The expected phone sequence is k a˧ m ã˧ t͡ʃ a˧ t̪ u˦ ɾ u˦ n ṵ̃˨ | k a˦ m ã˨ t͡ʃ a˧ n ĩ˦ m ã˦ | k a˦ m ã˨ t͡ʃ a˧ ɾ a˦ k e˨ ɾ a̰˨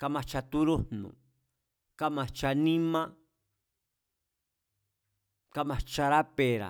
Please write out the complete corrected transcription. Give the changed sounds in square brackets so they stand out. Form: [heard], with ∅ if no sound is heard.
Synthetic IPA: k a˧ m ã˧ t͡ʃ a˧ t̪ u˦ ɾ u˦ n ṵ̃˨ | k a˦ m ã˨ t͡ʃ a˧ n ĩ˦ m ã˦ | k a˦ m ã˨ t͡ʃ a˧ ɾ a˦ [p] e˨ ɾ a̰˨